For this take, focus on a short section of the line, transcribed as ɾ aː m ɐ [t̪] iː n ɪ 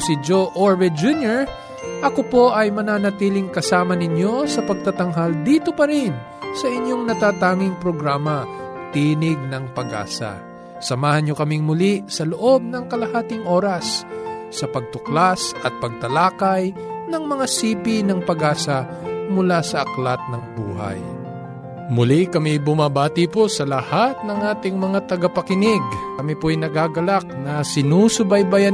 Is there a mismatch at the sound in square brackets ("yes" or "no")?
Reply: no